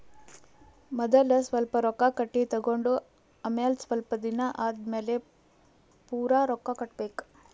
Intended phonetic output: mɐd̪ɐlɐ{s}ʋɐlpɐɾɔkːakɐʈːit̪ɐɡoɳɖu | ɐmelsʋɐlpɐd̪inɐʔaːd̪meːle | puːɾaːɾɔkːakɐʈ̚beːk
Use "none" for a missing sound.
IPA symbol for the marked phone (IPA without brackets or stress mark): s